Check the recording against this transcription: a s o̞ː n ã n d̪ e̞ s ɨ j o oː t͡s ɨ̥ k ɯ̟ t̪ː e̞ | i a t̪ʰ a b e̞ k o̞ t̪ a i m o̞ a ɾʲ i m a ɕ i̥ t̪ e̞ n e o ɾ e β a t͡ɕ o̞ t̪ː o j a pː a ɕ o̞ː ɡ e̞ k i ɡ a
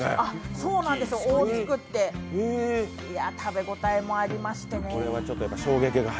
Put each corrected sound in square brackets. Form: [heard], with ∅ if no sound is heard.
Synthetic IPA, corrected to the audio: a s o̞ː n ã n d̪ e̞ s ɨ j o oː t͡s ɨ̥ k ɯ̟ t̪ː e̞ | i a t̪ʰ a b e̞ [ɡ] o̞ t̪ a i m o̞ a ɾʲ i m a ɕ i̥ t̪ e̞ n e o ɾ e β a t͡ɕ o̞ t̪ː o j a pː a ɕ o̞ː ɡ e̞ k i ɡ a